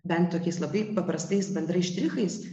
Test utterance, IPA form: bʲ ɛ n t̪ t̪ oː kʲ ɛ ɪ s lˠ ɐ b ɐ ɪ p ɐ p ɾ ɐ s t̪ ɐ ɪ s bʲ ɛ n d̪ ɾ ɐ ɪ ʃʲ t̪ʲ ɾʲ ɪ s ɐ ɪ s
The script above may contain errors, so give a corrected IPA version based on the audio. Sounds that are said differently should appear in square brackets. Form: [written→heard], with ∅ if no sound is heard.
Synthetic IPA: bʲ ɛ n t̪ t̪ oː kʲ ɛ ɪ s lˠ ɐ b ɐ ɪ p ɐ p ɾ ɐ s t̪ ɐ ɪ s bʲ ɛ n d̪ ɾ ɐ ɪ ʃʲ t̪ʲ ɾʲ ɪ [s→x] ɐ ɪ s